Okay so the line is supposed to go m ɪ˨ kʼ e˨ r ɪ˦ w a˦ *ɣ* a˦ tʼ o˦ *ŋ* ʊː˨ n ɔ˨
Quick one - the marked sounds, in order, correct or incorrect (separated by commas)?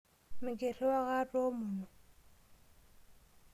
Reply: correct, incorrect